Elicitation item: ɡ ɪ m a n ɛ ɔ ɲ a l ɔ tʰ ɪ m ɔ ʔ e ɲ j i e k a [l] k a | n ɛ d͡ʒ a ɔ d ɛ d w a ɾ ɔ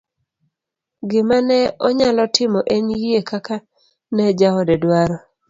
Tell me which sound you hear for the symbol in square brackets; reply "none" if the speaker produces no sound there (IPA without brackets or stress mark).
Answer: none